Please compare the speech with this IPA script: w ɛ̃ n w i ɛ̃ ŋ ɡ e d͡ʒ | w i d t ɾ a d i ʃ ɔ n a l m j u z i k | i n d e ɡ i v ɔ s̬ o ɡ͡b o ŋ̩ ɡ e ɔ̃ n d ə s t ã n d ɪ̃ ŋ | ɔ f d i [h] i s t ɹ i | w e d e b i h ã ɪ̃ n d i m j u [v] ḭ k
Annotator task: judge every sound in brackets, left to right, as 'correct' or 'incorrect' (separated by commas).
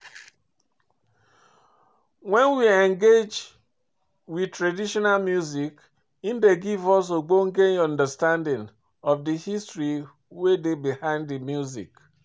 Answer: correct, incorrect